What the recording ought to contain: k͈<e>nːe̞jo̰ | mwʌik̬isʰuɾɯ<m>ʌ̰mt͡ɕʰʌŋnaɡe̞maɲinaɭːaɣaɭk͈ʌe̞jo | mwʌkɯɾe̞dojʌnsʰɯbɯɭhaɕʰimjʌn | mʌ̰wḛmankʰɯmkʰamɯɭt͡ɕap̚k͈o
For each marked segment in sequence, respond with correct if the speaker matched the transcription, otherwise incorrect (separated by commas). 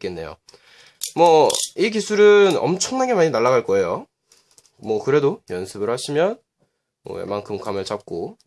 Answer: correct, incorrect